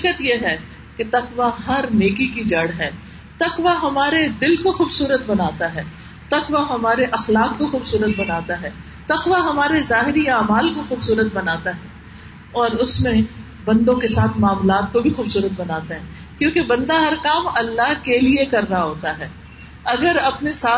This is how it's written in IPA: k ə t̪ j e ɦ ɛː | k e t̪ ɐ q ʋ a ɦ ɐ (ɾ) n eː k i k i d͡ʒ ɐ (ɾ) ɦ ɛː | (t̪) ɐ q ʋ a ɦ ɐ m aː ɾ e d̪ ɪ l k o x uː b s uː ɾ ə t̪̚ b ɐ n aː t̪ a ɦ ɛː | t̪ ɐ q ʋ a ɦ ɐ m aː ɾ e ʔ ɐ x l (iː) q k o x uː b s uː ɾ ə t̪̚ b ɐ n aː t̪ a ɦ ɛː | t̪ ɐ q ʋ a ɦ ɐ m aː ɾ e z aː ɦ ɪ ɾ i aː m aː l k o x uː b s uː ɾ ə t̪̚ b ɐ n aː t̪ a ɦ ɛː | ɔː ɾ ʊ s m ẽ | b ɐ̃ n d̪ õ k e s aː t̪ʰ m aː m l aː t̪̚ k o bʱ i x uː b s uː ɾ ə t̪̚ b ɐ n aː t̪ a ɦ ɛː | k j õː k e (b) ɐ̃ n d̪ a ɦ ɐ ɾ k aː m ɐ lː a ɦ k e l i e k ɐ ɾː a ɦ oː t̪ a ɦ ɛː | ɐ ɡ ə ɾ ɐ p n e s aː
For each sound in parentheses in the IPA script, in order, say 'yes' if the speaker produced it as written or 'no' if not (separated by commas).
yes, no, yes, no, yes